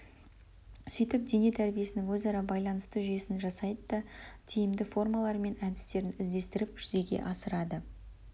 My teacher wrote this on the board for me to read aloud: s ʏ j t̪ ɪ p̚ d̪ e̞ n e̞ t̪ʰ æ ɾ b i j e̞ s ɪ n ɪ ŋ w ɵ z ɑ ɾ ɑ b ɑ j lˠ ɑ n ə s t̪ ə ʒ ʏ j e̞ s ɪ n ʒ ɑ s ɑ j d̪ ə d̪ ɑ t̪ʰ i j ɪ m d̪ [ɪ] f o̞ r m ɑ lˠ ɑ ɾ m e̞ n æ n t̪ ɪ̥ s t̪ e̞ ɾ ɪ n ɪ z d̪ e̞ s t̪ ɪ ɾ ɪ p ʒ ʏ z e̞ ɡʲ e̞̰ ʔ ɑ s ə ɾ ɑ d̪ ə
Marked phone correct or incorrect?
correct